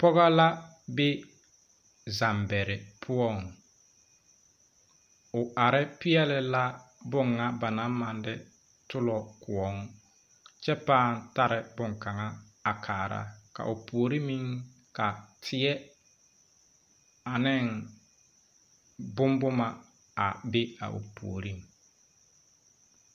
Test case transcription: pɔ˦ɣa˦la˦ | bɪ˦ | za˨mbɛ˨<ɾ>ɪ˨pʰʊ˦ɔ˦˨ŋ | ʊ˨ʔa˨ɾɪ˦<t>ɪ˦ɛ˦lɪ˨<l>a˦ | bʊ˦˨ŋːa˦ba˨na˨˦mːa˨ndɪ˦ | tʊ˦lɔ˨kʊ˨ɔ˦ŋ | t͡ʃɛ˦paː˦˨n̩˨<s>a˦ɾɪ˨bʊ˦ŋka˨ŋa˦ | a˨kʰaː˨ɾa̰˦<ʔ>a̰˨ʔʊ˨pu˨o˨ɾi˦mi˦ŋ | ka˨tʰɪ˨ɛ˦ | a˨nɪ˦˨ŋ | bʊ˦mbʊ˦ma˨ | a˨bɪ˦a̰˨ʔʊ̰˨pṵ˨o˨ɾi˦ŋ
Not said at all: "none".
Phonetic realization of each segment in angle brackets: ɾ, p, l, t, k

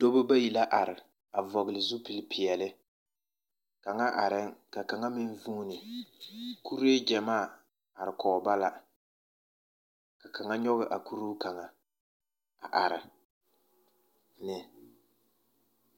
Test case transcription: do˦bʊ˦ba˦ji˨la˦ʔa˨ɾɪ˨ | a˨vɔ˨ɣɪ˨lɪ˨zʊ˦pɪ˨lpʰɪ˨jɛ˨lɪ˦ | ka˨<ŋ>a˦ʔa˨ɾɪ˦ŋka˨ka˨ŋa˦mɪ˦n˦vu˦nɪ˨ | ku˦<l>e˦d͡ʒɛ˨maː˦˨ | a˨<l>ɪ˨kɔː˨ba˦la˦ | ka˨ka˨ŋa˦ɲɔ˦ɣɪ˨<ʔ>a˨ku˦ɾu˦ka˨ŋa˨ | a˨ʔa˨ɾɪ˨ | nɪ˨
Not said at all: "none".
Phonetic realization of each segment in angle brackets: ŋ, ɾ, ɾ, ʔ

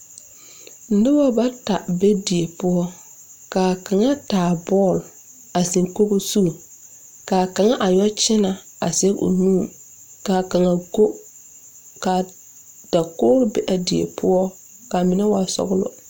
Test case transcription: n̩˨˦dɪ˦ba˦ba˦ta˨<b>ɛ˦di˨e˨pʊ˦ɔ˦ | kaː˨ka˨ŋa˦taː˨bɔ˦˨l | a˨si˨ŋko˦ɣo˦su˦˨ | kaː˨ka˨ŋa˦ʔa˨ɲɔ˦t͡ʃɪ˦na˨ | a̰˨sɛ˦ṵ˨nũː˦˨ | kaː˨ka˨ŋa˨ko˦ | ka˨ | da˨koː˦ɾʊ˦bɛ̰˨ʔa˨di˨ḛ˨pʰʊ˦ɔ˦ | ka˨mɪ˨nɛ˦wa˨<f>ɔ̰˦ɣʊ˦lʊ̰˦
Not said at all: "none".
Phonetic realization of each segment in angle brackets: b, s

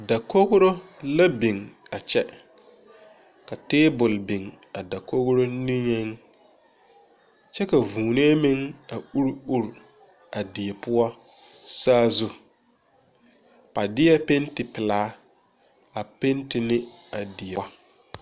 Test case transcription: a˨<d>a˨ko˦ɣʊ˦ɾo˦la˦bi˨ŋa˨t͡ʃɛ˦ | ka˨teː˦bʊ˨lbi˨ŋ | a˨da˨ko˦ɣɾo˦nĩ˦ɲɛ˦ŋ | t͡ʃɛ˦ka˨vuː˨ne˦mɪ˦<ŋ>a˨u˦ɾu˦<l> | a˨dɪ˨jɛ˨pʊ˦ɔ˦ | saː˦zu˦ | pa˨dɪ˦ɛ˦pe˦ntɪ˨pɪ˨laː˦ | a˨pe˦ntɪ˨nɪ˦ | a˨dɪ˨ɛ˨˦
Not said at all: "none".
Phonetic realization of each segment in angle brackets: d, ŋ, ɾ

